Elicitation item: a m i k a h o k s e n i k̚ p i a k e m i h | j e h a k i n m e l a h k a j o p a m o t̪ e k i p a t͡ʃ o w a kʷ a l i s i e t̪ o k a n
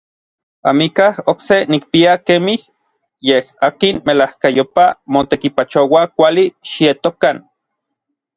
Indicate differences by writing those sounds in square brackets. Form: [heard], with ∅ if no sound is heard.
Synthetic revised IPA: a m i k a h o k s e n i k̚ p i a k e m i h | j e h a k i n m e l a h k a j o p a m o t̪ e k i p a t͡ʃ o w a kʷ a l i [ʃ] i e t̪ o k a n

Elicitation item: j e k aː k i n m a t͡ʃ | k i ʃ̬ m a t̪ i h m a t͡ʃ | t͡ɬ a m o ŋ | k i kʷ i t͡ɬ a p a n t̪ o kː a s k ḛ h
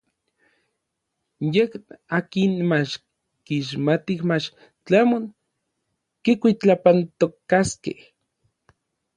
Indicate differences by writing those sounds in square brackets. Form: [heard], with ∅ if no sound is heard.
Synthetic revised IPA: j e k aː k i n m a t͡ʃ | k i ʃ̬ m a t̪ i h m a t͡ʃ | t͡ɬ a m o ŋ | k i kʷ i t͡ɬ a p a n t̪ o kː a s k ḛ h

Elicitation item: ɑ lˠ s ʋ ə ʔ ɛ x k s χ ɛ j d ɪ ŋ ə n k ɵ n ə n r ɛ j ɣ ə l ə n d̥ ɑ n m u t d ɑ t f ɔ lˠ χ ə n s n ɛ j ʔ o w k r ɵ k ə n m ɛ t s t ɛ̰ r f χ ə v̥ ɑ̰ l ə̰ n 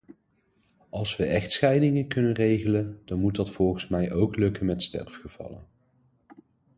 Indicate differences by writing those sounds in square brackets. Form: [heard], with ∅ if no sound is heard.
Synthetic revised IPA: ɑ lˠ s ʋ ə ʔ ɛ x [t] s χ ɛ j d ɪ ŋ ə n k ɵ n ə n r [e] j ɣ ə l ə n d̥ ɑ n m u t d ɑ t f ɔ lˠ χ ə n s [m] ɛ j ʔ o w k [l] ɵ k ə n m ɛ t s t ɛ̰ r f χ ə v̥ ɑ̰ l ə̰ n

